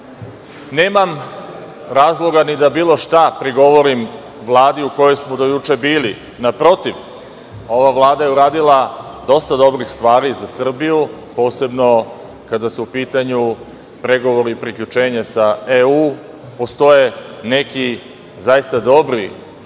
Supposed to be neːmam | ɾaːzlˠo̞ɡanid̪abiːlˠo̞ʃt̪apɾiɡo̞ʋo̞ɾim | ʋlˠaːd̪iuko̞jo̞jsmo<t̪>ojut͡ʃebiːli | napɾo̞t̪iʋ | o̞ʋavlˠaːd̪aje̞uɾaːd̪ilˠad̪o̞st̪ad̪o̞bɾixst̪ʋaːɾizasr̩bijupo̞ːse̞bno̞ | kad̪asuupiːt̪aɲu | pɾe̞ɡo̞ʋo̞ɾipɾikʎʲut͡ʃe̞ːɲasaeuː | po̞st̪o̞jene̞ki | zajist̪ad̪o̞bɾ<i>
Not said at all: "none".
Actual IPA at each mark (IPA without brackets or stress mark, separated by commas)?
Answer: d̪, i